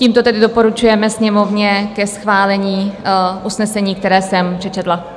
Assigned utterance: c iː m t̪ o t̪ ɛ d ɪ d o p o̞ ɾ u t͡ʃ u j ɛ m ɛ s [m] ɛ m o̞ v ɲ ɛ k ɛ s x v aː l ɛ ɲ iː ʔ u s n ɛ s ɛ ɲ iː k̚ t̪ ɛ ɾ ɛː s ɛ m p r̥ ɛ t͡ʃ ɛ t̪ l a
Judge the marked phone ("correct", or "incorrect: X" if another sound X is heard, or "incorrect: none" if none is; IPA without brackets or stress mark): incorrect: ɲ